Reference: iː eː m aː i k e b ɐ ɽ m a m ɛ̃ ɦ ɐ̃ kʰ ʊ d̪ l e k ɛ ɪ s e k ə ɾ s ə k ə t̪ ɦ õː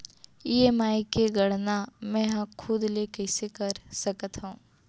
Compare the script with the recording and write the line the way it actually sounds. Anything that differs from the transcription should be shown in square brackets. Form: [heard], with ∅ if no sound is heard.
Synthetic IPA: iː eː m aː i k e [ɡ] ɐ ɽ [n] a m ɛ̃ ɦ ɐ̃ kʰ ʊ d̪ l e k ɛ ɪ s e k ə ɾ s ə k ə t̪ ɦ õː